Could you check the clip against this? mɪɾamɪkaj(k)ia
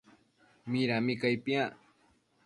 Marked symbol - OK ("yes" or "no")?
no